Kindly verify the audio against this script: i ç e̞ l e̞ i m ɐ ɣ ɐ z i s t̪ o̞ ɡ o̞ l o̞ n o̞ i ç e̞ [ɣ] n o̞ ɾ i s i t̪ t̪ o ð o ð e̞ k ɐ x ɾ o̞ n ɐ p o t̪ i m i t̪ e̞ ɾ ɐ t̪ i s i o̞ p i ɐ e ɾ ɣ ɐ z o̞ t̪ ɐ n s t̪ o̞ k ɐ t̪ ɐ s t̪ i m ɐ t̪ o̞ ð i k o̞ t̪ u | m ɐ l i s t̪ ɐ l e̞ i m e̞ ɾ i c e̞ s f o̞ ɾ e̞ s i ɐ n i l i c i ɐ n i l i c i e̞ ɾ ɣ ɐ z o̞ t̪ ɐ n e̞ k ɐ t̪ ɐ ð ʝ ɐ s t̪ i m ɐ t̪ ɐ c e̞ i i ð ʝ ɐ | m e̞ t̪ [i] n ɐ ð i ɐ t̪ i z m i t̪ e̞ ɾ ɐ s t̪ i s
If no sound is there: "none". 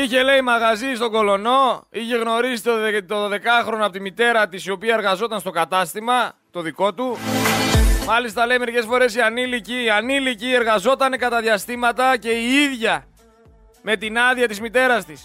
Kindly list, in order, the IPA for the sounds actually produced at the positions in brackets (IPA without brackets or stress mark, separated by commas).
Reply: ɣ, i